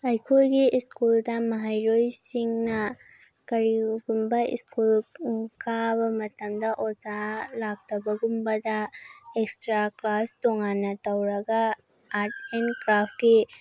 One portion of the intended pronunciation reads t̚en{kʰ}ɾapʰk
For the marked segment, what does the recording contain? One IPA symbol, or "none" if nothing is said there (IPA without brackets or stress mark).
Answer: k